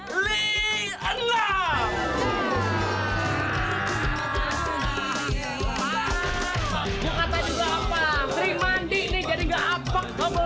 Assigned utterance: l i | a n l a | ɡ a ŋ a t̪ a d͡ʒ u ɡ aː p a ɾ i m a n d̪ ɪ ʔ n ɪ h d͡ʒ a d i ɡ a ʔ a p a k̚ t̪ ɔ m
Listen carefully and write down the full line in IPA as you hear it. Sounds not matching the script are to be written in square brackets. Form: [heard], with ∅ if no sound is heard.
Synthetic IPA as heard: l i | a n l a | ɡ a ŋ a t̪ a d͡ʒ u ɡ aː p a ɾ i m a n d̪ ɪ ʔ n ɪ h d͡ʒ a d i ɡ a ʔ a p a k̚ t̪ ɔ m